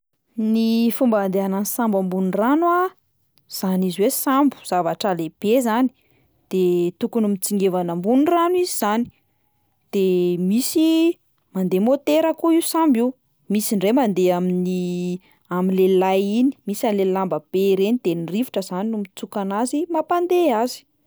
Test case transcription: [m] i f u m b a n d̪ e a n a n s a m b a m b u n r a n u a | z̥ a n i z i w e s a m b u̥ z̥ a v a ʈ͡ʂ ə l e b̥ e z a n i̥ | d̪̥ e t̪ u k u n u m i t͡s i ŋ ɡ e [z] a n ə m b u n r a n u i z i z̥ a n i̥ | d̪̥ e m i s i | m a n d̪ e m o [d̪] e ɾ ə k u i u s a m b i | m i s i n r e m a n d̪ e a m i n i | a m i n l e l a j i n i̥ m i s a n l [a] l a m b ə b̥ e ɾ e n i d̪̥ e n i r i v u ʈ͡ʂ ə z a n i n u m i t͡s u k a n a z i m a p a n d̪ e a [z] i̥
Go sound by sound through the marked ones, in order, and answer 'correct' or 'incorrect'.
incorrect: n, incorrect: v, incorrect: t̪, incorrect: e, correct

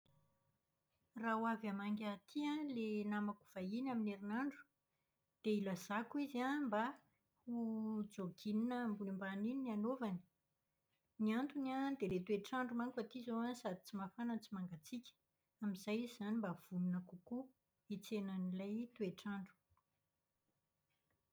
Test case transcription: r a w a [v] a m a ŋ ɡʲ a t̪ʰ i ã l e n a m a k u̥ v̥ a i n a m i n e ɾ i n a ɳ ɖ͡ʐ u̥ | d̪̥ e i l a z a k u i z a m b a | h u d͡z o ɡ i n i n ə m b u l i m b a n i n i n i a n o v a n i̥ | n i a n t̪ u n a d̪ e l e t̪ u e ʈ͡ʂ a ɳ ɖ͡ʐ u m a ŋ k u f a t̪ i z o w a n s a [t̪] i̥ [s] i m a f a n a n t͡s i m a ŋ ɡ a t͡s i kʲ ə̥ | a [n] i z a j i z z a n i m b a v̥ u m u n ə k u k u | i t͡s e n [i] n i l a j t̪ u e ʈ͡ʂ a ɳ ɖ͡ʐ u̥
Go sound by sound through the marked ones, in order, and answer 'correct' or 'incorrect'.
correct, incorrect: d̪, incorrect: t͡s, incorrect: m, incorrect: a

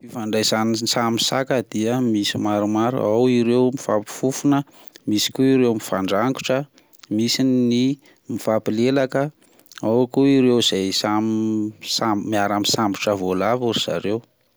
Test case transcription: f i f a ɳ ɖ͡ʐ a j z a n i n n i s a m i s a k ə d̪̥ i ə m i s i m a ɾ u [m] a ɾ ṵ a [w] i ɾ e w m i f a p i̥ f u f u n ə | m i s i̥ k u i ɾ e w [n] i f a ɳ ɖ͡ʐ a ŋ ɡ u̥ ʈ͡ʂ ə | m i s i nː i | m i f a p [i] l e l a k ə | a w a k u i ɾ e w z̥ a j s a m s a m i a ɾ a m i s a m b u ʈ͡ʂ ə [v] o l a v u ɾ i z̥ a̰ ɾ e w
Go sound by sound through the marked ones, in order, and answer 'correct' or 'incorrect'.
correct, correct, incorrect: m, correct, correct

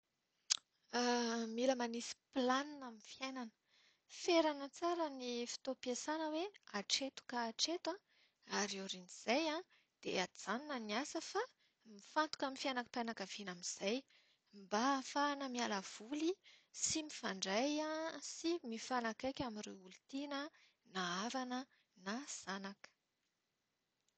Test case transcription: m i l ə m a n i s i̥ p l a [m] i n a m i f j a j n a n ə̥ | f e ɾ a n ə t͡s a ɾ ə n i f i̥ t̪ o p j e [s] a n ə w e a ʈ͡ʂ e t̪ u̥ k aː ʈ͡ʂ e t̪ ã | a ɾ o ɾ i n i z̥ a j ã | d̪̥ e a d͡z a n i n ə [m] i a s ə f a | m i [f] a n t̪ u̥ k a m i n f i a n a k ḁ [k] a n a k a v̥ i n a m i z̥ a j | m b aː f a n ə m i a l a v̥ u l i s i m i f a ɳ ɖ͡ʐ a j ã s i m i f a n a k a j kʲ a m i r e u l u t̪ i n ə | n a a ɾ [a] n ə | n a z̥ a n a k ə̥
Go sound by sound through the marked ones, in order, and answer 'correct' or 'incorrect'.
incorrect: n, correct, incorrect: n, correct, incorrect: p, correct

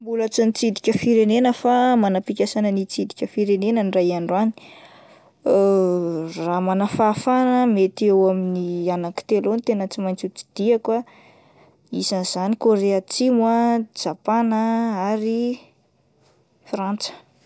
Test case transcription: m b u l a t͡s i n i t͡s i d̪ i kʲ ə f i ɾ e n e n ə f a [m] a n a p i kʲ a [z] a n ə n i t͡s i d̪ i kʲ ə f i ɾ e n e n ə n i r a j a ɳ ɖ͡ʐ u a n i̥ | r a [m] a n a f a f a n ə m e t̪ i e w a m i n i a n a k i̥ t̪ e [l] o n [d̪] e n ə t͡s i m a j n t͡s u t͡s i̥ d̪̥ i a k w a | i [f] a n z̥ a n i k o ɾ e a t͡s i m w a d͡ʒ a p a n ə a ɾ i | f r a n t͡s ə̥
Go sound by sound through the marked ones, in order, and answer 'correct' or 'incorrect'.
correct, incorrect: s, correct, correct, incorrect: t̪, incorrect: s

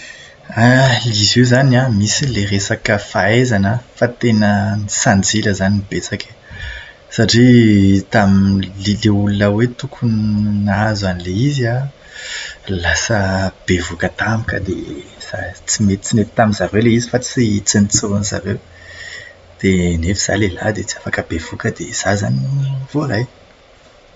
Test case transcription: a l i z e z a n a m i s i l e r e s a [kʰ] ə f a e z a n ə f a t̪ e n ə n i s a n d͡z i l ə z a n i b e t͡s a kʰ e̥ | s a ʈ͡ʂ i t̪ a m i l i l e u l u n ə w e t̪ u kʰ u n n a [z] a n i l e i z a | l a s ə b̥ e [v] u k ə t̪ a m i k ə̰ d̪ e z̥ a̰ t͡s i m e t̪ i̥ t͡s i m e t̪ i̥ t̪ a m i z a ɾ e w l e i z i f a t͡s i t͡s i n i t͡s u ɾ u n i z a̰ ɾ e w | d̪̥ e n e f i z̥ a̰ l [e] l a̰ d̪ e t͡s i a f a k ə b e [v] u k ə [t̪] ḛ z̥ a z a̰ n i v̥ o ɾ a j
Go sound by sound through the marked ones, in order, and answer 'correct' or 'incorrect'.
incorrect: k, correct, correct, correct, correct, incorrect: d̪

